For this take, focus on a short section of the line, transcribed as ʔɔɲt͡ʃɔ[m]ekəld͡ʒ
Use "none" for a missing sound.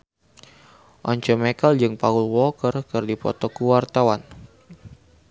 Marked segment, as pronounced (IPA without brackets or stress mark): m